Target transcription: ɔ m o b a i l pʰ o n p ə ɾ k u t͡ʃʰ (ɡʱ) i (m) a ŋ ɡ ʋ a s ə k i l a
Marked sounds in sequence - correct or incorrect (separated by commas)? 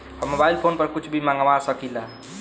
incorrect, correct